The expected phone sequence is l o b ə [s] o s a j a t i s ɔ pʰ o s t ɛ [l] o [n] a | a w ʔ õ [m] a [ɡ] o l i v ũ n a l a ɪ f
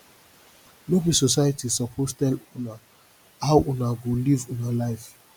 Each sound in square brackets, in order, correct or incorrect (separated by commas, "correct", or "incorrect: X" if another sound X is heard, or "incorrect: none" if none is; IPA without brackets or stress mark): correct, correct, correct, incorrect: n, correct